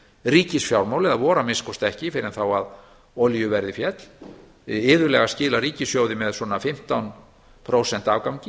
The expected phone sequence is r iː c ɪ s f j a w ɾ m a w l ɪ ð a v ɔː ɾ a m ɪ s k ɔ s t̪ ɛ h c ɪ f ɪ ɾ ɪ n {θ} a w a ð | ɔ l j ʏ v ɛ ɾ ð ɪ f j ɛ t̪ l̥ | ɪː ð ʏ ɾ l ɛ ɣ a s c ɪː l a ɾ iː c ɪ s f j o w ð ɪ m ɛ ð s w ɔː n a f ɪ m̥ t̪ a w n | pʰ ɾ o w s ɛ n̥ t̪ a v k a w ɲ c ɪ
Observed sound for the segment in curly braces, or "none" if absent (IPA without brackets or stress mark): θ